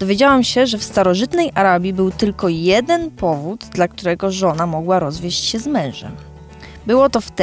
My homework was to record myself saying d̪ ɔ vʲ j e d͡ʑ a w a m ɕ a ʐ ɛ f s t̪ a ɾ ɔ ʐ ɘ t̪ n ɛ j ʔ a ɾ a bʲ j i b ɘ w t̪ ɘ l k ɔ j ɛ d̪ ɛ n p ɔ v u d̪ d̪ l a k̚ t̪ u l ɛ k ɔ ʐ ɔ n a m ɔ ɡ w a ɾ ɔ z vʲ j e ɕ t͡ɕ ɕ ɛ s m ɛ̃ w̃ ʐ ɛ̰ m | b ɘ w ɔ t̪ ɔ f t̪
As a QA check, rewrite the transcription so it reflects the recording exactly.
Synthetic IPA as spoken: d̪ ɔ vʲ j e d͡ʑ a w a m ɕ ɛ ʐ ɛ f s t̪ a ɾ ɔ ʐ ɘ t̪ n ɛ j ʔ a ɾ a bʲ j i b ɘ w t̪ ɘ l k ɔ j ɛ d̪ ɛ n p ɔ v u d̪ d̪ l a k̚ t̪ u ɾ ɛ ɡ ɔ ʐ ɔ n a m ɔ ɡ w a ɾ ɔ z vʲ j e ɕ t͡ɕ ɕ ɛ z m ɛ̃ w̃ ʐ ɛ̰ m | b ɘ w ɔ t̪ ɔ f t̪